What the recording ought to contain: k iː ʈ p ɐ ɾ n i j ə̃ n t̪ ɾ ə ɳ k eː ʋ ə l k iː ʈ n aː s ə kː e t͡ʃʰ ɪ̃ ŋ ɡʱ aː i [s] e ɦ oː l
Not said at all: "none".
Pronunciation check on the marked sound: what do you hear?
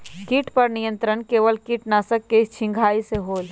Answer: s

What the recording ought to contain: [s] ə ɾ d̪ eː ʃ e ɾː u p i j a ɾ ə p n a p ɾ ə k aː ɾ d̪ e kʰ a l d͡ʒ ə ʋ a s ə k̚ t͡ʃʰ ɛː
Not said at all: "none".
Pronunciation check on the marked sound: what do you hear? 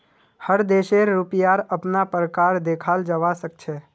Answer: h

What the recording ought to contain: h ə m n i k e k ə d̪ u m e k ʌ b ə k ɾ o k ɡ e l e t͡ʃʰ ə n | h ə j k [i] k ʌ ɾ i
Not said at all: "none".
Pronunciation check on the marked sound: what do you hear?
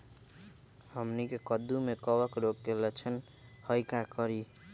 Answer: a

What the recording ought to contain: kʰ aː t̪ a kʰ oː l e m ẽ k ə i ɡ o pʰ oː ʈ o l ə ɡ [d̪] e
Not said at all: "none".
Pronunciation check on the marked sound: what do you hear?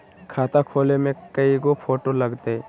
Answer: t̪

